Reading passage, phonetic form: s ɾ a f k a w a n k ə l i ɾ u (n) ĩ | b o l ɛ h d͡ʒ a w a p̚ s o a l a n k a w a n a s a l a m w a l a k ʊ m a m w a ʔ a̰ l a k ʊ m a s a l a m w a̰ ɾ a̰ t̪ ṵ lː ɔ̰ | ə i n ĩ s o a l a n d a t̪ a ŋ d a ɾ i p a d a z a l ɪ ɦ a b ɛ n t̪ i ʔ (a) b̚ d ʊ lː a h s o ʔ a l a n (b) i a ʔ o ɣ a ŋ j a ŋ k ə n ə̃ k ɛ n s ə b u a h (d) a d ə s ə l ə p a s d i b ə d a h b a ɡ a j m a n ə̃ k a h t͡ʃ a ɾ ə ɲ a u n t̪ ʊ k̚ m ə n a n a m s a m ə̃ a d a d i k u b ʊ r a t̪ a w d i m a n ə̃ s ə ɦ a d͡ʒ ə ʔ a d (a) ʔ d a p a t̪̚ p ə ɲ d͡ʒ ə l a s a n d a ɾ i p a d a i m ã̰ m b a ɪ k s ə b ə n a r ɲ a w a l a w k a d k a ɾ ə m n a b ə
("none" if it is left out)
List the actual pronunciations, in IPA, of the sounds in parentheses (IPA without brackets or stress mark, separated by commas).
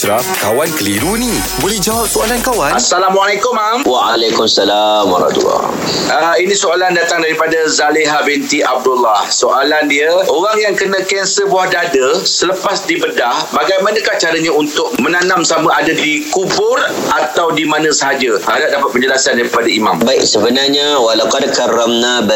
n, a, d, d, a